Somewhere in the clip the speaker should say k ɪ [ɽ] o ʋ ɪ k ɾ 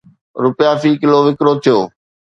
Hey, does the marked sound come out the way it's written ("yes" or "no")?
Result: no